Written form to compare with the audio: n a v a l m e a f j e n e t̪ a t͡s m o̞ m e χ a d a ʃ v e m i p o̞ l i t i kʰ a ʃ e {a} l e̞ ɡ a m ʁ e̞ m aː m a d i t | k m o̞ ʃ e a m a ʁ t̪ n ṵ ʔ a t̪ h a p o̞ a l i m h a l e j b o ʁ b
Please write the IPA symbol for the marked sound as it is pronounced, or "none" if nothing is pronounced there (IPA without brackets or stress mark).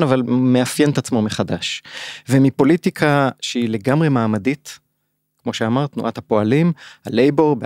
i